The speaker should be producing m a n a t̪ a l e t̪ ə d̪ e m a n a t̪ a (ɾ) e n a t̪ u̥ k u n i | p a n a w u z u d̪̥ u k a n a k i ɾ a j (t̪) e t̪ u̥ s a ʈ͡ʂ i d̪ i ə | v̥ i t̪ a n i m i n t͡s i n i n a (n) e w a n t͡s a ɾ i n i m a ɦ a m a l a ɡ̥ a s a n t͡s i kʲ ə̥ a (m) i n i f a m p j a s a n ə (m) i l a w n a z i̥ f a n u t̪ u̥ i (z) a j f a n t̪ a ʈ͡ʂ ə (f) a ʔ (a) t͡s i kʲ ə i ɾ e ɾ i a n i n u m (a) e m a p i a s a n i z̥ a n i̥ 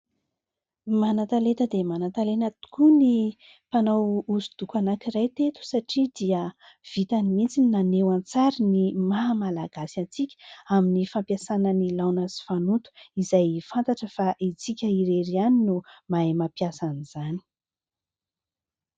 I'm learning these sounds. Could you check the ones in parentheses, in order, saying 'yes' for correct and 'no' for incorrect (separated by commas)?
no, yes, yes, yes, no, yes, yes, no, yes